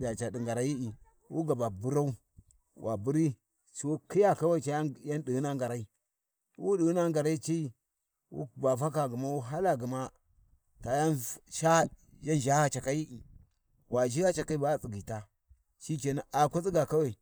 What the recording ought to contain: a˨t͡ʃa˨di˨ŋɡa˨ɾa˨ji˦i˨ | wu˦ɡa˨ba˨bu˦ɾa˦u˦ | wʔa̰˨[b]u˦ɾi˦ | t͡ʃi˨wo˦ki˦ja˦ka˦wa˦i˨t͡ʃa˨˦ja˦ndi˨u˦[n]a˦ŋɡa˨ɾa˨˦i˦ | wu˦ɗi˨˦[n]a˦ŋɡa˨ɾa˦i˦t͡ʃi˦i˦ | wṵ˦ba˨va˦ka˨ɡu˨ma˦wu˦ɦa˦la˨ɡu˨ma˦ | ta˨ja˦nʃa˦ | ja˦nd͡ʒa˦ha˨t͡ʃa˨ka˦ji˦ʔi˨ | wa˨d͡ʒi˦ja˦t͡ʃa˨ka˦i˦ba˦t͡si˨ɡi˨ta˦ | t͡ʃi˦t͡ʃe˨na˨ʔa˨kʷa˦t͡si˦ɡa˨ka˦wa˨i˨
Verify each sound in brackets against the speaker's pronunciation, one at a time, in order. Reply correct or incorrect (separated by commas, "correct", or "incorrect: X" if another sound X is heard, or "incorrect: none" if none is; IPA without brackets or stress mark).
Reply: correct, correct, correct